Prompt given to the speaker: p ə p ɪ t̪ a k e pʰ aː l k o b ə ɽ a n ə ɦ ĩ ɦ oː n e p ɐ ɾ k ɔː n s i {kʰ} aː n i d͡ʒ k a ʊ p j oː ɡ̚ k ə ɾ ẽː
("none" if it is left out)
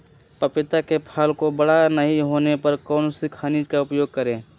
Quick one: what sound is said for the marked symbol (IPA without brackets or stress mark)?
kʰ